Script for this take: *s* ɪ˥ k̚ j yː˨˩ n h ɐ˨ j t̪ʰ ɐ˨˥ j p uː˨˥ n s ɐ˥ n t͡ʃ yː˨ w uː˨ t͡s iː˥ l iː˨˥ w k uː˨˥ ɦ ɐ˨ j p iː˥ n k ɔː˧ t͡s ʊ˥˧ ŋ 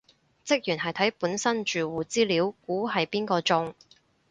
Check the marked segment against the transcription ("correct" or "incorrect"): incorrect